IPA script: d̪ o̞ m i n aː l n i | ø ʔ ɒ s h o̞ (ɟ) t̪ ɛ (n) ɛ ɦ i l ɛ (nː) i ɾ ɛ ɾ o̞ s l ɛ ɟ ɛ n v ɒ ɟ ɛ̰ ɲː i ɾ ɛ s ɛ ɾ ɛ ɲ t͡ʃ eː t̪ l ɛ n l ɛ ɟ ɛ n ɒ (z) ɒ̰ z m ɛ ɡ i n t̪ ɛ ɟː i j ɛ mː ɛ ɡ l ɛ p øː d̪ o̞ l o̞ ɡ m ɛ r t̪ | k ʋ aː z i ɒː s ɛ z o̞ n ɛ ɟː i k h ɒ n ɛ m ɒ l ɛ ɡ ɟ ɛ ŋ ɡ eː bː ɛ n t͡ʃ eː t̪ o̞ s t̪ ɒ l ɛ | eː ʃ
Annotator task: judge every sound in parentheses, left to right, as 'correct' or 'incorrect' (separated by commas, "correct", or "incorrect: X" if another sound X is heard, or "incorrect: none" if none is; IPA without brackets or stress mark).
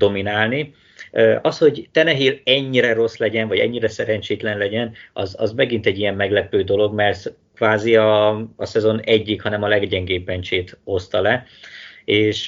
correct, correct, incorrect: ɲː, correct